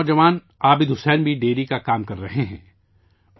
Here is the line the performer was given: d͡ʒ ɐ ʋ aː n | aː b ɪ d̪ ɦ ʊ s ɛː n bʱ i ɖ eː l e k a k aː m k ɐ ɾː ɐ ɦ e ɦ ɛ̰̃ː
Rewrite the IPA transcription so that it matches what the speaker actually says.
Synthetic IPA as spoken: d͡ʒ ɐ ʋ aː n | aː b ɪ d̪ ɦ ʊ s ɛː n bʱ i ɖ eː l i k a k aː m k ɐ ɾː ɐ ɦ e ɦ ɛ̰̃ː

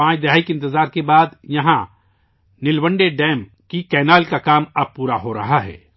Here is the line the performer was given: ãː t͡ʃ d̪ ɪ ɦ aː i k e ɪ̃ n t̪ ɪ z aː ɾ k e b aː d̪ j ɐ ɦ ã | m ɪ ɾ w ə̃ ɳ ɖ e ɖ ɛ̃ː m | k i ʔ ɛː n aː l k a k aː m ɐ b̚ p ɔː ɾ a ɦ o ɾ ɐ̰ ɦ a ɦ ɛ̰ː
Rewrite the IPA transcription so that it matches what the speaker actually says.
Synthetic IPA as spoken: ãː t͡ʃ d̪ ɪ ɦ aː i k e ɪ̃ n t̪ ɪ z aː ɾ k e b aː d̪ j ɐ ɦ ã | n ɪ l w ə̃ ɳ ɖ e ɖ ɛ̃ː m | k i k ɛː n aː l k a k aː m ɐ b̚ p uː ɾ a ɦ o ɾ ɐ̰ ɦ a ɦ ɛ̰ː

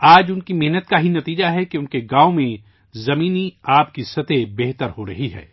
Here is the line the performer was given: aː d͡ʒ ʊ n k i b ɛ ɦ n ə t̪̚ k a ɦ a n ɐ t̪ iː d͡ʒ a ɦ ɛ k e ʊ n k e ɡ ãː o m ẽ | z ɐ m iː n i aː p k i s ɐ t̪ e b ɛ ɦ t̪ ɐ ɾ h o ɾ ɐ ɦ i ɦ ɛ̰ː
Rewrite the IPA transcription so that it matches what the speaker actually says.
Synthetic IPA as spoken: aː d͡ʒ ʊ n k i m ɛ ɦ n ə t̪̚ k a ɦ i n ɐ t̪ iː d͡ʒ a ɦ ɛ k e ʊ n k e ɡ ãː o m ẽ | z ɐ m iː n i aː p k i s ɐ t̪ e b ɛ ɦ t̪ ə ɾ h o ɾ ɐ ɦ i ɦ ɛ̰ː

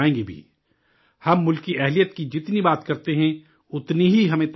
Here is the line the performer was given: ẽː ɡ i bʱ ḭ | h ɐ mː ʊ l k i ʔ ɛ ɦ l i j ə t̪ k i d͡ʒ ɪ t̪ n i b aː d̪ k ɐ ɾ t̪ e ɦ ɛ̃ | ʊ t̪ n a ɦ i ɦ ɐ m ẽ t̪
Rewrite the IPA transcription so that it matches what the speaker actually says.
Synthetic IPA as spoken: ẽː ɡ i bʱ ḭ | h ɐ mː ʊ l k i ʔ ɛ ɦ l i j ə t̪ k i d͡ʒ ɪ t̪ n i b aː t̪ k ɐ ɾ t̪ e ɦ ɛ̃ | ʊ t̪ n i ɦ i ɦ ɐ m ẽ t̪

